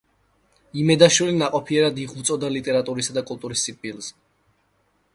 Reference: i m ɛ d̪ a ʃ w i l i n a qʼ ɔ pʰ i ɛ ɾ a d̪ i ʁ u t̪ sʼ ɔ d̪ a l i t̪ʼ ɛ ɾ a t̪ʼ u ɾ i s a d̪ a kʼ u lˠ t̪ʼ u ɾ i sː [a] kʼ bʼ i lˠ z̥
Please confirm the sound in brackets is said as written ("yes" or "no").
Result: no